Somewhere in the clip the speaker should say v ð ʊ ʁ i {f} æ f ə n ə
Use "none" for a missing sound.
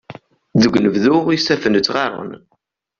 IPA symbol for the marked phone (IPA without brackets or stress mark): s